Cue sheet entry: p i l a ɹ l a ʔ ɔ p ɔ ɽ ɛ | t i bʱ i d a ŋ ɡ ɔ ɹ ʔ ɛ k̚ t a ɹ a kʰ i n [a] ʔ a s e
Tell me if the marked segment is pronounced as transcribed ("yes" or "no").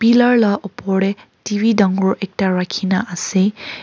yes